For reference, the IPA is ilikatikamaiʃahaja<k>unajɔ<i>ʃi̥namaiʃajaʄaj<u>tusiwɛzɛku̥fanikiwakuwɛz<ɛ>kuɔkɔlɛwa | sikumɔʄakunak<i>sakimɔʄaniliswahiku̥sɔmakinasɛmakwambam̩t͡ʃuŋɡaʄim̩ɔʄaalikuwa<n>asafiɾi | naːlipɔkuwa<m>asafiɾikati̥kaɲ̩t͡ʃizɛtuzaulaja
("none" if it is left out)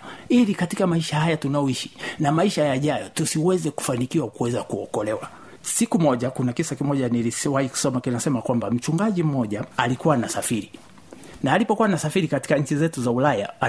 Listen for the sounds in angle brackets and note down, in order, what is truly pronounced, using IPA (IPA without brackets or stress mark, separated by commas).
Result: t, i, ɔ, a, i, n, n